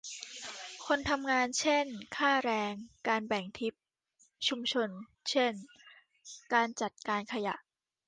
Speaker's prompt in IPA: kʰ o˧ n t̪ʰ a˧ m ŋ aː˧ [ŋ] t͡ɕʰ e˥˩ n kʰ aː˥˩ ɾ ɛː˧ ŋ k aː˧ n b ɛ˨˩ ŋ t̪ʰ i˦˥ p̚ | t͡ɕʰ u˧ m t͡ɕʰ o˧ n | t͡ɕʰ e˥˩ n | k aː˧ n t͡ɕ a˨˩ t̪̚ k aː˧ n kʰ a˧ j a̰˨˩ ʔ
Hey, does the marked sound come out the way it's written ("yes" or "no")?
no